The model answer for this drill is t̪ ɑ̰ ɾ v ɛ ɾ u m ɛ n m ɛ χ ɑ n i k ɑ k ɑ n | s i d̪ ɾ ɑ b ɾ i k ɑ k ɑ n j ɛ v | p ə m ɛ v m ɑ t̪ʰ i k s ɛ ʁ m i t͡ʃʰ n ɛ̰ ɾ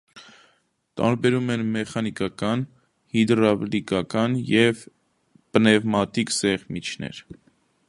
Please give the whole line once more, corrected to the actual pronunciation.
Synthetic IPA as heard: t̪ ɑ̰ ɾ b ɛ ɾ u m ɛ n m ɛ χ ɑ n i k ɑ k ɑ n | h i d̪ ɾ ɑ b l i k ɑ k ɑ n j ɛ v | p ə n ɛ v m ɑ t̪ i k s ɛ ʁ m i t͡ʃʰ n ɛ̰ ɾ